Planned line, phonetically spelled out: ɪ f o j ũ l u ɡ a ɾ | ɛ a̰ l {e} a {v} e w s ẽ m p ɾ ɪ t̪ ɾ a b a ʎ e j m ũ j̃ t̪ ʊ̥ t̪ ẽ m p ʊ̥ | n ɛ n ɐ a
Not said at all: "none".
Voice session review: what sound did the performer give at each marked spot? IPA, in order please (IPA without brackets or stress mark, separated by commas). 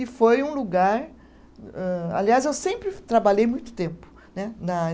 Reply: i, z